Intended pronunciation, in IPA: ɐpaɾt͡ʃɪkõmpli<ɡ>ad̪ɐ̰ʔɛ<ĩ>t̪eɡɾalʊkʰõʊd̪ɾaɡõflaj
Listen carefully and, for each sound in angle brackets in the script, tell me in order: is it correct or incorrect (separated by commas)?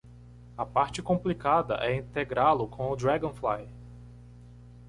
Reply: incorrect, correct